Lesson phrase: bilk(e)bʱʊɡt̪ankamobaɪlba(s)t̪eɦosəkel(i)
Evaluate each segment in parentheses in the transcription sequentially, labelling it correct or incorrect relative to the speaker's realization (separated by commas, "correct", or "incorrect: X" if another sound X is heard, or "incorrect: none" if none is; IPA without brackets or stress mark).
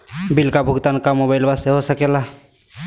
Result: incorrect: a, correct, incorrect: a